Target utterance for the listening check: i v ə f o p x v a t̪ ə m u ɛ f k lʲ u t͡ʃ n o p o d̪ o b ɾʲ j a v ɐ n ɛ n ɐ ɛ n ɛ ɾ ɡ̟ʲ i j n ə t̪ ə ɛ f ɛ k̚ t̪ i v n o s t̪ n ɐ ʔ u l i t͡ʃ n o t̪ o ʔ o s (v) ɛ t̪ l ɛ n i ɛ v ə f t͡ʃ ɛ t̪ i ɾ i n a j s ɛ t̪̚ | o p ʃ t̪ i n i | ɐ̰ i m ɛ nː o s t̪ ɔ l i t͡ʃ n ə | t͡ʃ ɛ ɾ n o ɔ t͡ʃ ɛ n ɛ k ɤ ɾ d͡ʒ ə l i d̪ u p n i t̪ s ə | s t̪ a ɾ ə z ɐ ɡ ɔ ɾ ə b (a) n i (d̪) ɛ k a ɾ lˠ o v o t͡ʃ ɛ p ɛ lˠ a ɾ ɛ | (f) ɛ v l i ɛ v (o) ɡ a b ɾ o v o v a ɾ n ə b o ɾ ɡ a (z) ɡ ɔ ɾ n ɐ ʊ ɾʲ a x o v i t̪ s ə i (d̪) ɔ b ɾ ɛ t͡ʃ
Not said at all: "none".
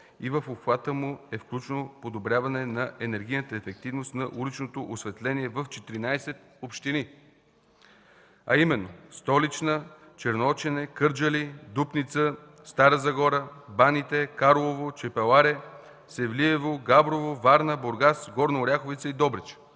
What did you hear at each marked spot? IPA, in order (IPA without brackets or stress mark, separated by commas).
v, a, t̪, s, o, s, d̪